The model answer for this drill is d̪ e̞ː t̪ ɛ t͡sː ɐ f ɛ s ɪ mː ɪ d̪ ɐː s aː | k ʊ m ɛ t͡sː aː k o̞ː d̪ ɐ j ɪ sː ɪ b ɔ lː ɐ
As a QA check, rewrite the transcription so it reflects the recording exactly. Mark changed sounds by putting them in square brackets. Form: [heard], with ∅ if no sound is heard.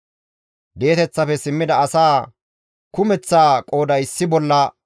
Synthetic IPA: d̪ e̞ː t̪ ɛ t͡sː ɐ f ɛ s ɪ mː ɪ d̪ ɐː s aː | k ʊ m ɛ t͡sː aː [kʼ] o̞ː d̪ ɐ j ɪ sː ɪ b ɔ lː ɐ